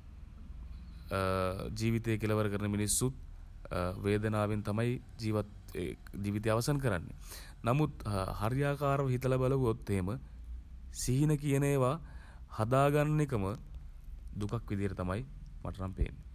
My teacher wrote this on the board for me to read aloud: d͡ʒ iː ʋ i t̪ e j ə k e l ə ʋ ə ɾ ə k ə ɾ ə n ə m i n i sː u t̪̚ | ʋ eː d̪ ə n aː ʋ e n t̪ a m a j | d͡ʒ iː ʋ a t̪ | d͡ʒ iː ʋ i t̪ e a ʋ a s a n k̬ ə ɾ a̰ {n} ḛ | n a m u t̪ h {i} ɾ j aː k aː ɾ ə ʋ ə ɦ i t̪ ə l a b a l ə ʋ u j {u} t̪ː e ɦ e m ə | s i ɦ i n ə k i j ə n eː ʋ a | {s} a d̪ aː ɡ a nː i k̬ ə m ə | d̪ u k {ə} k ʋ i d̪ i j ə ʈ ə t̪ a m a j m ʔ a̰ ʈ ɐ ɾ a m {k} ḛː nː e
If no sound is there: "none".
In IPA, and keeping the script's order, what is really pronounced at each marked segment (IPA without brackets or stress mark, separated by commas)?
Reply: nː, a, o, h, a, p